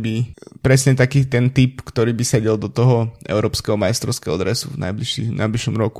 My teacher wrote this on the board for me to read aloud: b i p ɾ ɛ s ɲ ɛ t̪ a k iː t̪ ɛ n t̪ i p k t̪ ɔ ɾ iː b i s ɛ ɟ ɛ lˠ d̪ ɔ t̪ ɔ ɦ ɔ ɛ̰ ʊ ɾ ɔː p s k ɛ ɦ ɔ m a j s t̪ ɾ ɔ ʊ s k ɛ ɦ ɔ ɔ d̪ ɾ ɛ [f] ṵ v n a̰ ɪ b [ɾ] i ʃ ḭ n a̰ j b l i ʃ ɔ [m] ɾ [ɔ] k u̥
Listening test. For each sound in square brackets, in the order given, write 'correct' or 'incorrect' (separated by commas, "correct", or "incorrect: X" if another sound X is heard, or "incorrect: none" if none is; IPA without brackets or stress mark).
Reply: incorrect: s, incorrect: l, correct, correct